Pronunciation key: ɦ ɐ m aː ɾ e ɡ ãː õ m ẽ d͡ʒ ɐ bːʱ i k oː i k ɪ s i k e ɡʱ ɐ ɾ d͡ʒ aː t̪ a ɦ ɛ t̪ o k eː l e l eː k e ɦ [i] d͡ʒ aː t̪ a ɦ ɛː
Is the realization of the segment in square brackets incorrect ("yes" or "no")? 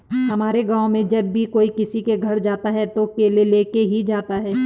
no